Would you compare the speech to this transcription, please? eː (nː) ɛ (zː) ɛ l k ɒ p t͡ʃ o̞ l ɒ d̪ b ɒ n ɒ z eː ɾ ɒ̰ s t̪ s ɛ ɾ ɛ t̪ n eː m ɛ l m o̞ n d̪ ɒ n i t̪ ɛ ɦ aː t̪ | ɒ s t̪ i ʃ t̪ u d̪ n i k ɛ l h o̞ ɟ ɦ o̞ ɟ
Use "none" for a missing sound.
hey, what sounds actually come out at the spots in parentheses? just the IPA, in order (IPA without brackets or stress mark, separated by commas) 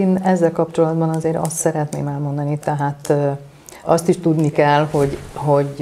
n, zː